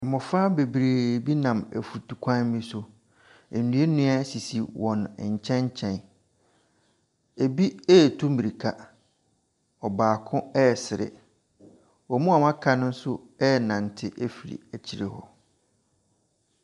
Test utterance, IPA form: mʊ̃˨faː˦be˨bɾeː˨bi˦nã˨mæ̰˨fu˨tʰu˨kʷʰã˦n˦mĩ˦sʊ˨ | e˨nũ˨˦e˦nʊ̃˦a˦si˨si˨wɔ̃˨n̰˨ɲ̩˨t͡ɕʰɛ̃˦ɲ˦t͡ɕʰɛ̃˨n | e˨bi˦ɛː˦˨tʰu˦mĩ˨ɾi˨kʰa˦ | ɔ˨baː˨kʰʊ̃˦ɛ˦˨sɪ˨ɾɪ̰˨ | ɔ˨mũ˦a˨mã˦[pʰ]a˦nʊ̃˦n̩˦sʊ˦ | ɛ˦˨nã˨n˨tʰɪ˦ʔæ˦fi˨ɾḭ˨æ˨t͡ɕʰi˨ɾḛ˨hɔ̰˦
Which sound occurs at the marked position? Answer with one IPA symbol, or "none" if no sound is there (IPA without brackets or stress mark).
kʰ